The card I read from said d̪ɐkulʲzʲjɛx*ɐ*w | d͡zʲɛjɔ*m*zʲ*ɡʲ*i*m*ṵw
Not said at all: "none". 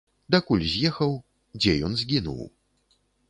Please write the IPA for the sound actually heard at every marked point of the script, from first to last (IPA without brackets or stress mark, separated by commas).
ɐ, n, ɡʲ, n